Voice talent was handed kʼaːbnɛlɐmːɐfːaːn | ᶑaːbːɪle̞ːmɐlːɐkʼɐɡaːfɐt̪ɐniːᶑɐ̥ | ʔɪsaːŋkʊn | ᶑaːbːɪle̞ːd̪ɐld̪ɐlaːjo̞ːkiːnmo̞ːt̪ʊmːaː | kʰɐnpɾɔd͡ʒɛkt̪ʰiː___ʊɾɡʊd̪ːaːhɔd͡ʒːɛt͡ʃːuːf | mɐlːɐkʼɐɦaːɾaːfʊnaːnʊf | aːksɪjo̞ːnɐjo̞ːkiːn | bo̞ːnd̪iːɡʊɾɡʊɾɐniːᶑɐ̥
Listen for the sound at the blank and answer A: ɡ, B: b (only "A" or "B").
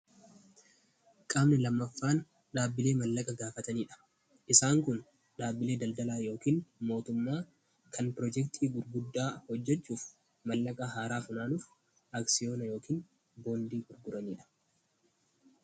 A